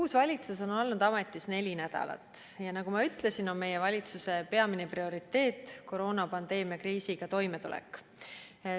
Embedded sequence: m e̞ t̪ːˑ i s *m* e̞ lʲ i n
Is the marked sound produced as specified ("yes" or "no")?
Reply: no